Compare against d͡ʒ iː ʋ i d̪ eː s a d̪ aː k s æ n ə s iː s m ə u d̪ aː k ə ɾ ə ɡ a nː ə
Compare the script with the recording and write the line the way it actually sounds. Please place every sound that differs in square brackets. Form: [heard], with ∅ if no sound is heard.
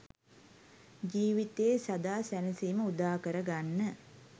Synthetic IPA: d͡ʒ iː ʋ i [t̪] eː s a d̪ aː [∅] s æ n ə s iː [∅] m ə u d̪ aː k ə ɾ ə ɡ a nː ə